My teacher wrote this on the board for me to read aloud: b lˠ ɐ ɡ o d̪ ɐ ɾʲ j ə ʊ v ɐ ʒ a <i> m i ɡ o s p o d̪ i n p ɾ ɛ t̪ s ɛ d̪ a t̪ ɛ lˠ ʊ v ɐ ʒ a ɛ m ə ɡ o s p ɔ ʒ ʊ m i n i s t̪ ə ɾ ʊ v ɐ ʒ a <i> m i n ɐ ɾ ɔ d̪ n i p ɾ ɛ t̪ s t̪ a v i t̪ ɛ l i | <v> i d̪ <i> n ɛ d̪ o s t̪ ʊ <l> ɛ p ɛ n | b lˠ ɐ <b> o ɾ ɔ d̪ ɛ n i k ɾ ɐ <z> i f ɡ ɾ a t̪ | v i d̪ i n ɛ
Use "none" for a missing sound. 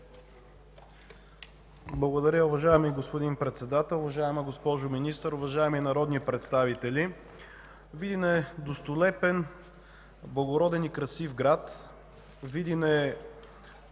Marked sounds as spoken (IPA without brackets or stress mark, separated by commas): ɛ, ɛ, v, i, l, ɡ, s